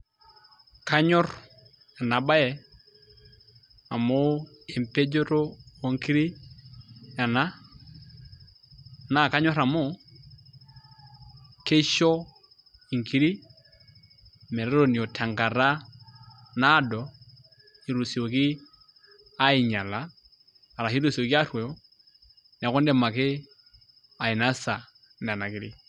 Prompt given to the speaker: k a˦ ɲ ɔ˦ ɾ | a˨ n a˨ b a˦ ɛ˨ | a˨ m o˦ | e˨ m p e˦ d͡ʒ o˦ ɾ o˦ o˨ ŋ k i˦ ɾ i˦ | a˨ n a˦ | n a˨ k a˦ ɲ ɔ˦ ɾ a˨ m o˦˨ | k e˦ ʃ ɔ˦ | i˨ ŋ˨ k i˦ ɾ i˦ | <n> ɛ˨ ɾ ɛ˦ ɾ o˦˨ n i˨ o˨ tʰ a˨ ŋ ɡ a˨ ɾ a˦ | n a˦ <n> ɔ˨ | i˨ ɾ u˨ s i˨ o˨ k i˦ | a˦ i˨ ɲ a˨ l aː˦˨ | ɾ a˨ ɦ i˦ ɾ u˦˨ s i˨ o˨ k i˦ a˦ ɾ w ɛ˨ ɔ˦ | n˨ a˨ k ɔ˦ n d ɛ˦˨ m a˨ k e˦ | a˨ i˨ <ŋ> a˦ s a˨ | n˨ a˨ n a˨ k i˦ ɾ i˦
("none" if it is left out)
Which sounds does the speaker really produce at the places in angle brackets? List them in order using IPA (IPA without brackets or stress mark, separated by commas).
m, d, n